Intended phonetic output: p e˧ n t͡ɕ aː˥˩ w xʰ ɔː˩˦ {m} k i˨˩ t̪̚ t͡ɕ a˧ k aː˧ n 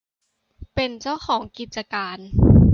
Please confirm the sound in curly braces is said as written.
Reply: no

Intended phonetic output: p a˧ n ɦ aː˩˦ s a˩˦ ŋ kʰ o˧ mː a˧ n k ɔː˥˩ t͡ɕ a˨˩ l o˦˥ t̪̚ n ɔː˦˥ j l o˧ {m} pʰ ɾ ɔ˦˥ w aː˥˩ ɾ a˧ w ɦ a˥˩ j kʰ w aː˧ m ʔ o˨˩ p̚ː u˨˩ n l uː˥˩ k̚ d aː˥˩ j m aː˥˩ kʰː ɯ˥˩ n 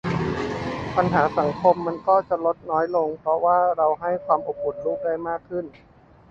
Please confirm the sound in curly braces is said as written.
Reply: no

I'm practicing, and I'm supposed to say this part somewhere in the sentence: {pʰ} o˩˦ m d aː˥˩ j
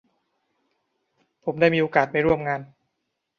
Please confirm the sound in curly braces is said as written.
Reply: yes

